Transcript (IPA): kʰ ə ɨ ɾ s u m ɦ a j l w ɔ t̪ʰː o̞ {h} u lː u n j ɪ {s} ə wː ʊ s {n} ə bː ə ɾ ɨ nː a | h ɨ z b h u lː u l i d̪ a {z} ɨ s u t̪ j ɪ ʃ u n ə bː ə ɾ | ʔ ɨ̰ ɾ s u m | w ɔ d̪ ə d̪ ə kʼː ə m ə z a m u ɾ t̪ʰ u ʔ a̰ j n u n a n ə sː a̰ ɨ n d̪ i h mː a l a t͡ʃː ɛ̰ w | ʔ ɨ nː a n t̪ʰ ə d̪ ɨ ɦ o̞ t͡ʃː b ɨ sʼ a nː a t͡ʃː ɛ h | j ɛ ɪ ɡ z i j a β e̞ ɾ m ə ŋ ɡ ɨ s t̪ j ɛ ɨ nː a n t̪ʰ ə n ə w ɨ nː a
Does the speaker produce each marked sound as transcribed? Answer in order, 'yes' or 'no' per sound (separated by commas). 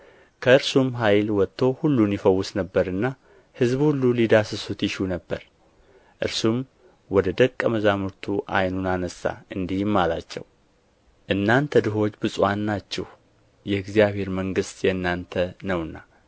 yes, no, yes, no